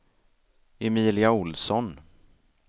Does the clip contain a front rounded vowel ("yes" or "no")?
no